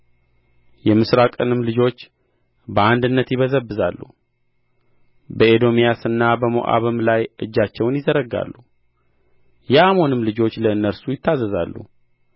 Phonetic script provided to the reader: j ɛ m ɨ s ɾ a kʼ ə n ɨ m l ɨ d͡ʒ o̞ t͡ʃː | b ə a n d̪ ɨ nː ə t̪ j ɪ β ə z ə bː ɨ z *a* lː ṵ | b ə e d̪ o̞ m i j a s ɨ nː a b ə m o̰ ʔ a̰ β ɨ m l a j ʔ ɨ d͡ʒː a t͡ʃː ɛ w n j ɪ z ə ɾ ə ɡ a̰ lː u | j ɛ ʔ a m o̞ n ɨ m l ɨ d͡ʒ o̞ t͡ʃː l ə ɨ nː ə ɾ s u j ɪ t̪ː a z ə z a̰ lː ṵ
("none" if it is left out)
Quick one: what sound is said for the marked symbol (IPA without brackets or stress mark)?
a